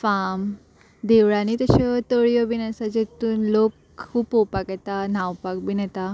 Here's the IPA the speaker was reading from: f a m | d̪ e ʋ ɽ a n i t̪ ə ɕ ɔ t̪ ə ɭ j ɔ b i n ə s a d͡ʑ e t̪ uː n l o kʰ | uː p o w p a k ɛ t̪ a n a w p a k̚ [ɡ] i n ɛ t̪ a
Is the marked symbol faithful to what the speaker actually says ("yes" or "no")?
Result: no